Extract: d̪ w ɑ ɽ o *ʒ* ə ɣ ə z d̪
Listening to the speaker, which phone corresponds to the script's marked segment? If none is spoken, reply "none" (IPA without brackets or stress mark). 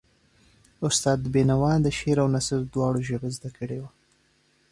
ʒ